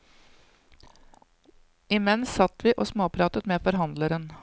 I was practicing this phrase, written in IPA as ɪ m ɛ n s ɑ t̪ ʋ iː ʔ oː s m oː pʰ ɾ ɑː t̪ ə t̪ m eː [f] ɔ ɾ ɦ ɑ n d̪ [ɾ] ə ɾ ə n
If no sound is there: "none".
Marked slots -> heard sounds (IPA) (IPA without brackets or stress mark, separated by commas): f, l